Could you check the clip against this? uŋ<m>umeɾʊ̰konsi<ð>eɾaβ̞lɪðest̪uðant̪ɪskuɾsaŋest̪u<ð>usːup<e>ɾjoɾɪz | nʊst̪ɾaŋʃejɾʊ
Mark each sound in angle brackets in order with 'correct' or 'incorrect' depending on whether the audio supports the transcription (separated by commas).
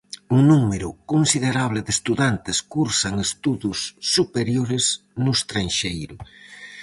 incorrect, correct, correct, correct